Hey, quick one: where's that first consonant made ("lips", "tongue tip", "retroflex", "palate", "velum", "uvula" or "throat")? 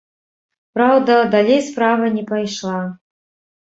lips